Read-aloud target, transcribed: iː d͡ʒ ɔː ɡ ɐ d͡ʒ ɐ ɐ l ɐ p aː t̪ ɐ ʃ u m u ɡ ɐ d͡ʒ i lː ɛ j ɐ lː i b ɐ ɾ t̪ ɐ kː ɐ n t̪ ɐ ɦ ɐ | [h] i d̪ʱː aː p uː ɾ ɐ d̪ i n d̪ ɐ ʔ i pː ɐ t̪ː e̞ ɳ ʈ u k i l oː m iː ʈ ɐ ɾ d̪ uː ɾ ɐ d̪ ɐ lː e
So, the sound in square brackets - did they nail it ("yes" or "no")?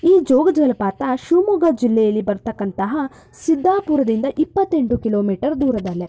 no